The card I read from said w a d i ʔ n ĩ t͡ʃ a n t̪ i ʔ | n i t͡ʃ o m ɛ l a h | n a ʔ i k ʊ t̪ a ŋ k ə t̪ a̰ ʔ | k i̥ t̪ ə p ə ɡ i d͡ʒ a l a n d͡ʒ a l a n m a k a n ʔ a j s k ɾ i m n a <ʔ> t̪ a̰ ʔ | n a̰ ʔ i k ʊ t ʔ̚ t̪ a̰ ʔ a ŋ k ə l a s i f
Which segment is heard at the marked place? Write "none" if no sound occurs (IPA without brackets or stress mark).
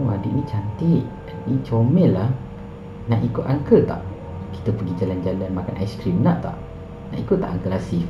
ʔ